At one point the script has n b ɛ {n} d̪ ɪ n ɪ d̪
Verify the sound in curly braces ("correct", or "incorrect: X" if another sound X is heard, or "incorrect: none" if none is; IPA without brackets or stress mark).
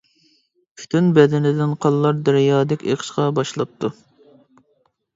incorrect: none